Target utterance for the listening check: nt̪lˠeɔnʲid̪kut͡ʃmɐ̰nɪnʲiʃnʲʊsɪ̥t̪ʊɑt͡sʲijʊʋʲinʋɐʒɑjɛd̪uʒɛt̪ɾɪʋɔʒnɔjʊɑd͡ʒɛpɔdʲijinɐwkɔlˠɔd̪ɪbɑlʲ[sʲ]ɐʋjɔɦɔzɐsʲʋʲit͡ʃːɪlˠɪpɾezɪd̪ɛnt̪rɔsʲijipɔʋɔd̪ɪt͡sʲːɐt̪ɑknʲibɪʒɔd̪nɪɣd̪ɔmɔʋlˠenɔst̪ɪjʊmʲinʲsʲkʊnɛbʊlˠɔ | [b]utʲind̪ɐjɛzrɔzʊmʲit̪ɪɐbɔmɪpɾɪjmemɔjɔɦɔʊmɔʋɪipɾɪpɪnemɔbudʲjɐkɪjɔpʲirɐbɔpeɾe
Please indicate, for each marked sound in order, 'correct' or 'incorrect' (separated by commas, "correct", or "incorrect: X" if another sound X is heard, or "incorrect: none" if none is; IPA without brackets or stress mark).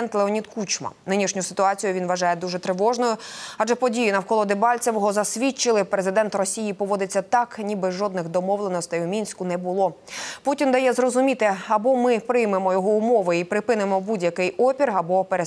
incorrect: t͡sʲ, incorrect: p